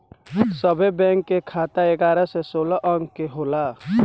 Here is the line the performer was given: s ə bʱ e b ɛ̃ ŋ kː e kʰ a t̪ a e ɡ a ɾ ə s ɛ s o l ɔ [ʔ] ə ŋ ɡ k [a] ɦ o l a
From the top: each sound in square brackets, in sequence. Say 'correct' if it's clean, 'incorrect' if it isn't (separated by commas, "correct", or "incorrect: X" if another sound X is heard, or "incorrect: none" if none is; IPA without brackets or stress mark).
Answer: correct, incorrect: e